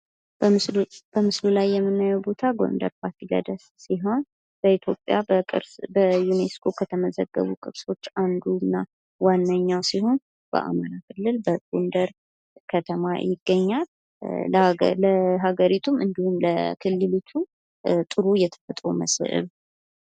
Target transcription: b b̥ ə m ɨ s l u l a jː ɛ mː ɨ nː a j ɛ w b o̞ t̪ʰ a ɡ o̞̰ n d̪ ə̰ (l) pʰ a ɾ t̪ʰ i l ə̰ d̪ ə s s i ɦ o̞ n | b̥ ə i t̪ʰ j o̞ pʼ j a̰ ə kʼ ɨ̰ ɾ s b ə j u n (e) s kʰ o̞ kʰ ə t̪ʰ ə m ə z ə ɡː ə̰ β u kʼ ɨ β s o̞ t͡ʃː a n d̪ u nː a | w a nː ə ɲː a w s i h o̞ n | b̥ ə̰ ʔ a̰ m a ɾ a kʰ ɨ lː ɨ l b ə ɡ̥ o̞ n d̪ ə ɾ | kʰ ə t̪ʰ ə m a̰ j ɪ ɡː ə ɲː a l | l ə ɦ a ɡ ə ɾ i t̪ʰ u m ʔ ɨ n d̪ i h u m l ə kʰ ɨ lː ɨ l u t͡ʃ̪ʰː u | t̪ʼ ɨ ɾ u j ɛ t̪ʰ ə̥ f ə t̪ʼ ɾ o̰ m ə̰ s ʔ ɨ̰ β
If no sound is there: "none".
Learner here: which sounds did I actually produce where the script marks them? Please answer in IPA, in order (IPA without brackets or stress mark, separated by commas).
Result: ɾ, e